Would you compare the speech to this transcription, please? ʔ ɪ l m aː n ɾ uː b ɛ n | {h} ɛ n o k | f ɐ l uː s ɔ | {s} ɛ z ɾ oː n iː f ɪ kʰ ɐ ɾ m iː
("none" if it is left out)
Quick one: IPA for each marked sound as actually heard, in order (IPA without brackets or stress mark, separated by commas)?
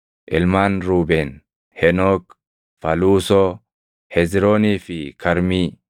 h, h